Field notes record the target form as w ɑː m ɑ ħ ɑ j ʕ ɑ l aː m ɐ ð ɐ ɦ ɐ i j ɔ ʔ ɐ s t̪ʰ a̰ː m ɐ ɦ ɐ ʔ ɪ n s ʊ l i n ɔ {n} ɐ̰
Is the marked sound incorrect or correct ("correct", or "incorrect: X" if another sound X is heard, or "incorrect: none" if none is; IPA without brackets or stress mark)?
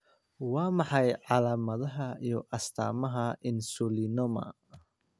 incorrect: m